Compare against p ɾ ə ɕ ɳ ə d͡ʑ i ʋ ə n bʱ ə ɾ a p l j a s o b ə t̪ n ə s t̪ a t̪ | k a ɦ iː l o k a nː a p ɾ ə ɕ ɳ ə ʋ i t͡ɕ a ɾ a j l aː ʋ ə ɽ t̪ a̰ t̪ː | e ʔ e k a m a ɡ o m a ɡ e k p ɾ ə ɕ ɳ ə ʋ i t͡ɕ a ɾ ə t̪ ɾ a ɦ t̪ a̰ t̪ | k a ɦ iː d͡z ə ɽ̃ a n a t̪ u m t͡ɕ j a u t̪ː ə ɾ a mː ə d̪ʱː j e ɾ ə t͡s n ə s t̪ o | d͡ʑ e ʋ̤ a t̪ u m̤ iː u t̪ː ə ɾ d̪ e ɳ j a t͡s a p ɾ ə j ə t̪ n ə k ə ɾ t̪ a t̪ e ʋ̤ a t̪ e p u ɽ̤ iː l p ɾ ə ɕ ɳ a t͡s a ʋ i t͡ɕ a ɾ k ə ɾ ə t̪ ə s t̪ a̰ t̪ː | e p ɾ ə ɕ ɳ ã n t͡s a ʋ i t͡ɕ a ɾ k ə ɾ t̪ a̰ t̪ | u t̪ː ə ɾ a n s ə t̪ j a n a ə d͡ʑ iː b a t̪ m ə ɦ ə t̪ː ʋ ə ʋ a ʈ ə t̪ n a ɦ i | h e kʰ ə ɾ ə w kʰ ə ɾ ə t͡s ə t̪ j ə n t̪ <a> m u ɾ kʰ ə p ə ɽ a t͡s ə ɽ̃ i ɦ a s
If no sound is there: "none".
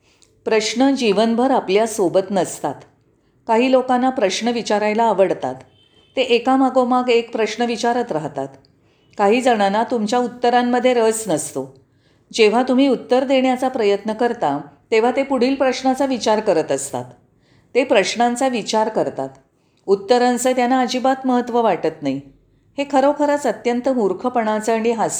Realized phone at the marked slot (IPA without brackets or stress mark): ə